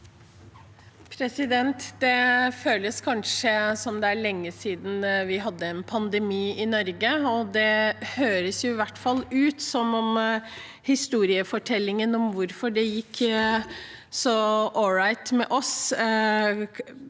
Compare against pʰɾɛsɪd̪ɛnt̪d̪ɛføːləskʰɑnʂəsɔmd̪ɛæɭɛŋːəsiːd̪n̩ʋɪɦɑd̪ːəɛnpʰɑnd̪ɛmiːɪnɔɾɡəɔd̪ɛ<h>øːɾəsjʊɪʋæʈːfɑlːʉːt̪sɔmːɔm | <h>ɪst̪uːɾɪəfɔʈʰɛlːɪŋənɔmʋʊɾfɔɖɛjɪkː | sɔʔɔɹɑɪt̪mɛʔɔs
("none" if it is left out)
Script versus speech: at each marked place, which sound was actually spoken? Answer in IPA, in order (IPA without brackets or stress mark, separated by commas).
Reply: h, h